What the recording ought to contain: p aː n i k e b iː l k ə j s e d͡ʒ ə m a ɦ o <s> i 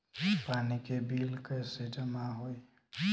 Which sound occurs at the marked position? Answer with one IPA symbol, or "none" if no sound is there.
none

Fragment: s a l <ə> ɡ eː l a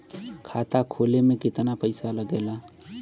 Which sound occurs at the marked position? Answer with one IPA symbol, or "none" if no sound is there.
ə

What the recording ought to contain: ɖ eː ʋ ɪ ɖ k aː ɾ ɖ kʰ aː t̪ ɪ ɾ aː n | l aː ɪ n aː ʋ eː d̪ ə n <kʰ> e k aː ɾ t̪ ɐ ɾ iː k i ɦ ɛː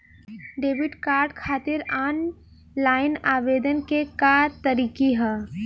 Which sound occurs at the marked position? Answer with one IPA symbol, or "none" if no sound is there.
k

